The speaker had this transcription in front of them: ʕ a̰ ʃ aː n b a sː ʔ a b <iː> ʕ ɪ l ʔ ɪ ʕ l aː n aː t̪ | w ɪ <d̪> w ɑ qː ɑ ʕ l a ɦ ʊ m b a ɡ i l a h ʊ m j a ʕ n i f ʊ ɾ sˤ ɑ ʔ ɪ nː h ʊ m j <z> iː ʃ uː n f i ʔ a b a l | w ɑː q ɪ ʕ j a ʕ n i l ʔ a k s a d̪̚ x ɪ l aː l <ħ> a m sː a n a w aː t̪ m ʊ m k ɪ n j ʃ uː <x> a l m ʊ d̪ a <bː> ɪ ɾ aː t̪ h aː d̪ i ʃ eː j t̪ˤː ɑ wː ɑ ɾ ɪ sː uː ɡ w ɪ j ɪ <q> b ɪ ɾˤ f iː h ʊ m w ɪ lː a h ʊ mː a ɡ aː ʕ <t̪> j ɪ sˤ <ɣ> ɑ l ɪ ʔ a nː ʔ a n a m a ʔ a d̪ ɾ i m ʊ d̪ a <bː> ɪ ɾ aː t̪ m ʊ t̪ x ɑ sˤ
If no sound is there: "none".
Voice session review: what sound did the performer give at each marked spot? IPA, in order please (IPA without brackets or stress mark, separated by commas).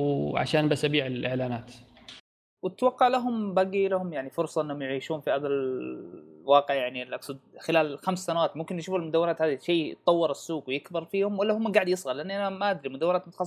iː, t̪, ʕ, x, f, wː, k, d̪, ɣ, wː